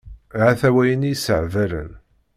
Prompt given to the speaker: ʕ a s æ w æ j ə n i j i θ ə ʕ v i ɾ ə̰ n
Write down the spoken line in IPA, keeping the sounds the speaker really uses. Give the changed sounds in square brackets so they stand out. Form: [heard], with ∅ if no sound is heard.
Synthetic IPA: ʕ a [θ] æ w æ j ə n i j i [s] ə ʕ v [æ] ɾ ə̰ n